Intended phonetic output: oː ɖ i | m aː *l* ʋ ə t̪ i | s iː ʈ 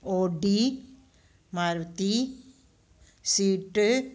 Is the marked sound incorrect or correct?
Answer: incorrect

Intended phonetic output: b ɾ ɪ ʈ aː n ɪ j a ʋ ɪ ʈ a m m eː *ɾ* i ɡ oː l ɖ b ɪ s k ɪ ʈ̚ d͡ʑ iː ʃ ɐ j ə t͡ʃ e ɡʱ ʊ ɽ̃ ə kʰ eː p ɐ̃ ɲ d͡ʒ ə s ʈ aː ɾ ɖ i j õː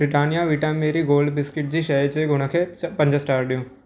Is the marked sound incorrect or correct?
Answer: correct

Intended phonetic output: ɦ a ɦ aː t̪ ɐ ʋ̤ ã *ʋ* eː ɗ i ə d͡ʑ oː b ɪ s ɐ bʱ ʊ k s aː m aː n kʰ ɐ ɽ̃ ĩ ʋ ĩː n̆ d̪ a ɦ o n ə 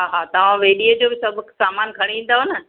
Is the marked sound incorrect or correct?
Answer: correct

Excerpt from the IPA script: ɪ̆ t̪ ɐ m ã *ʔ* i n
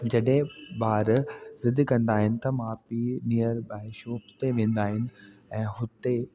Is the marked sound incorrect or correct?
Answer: incorrect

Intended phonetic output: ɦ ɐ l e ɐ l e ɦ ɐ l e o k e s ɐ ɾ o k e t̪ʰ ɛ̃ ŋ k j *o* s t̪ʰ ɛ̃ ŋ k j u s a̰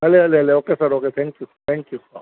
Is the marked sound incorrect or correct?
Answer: incorrect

